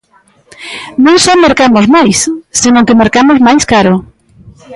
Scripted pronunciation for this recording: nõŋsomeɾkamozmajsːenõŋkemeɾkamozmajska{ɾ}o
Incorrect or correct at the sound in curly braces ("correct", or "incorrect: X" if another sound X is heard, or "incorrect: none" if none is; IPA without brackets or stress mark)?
correct